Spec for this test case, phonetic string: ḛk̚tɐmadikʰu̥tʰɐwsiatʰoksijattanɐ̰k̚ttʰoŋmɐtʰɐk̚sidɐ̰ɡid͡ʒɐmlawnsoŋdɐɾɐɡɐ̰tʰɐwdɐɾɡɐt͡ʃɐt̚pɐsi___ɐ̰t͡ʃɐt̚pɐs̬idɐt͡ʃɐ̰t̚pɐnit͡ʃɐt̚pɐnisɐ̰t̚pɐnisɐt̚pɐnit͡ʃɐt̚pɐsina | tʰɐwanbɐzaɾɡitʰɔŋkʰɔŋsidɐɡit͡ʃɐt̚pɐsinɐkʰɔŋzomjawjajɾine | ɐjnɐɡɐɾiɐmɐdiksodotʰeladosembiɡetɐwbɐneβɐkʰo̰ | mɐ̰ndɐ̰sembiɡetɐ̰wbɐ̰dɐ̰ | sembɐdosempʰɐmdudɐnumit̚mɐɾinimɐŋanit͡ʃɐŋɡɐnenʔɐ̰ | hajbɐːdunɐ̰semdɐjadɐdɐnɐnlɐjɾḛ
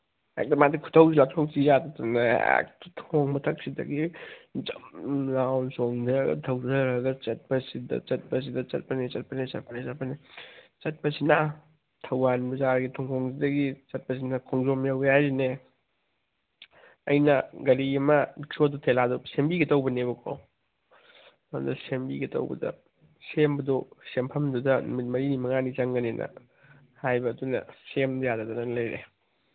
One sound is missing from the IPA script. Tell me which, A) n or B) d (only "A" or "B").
B